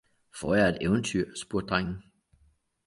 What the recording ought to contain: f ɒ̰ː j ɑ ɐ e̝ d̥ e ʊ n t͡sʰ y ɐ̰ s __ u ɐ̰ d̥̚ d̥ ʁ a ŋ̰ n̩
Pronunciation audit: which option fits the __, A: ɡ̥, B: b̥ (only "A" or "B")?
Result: B